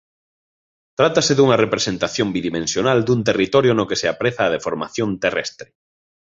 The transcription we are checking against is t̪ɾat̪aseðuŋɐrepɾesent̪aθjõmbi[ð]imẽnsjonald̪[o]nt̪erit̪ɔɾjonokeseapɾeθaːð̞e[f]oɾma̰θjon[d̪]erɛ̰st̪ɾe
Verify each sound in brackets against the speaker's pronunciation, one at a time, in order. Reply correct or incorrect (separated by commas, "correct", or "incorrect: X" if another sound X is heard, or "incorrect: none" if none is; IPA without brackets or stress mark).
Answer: correct, incorrect: u, correct, incorrect: t̪